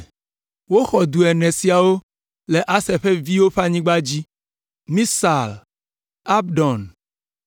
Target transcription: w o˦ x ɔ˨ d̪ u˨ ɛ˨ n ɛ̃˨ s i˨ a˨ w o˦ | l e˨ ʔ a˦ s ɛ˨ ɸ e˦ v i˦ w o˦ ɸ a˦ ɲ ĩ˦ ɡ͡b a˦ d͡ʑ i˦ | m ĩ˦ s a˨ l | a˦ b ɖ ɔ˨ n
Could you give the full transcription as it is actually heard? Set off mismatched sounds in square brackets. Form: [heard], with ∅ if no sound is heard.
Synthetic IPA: w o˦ x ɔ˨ d̪ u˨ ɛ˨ n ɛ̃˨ s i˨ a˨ w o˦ | l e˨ ʔ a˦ s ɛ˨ ɸ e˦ v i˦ w o˦ ɸ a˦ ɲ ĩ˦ ɡ͡b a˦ d͡ʑ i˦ | m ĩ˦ s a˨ l | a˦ b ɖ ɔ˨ n